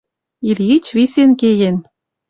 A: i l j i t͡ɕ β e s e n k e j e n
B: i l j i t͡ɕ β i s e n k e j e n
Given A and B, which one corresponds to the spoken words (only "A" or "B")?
B